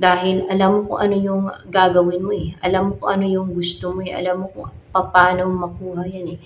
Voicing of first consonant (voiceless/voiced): voiced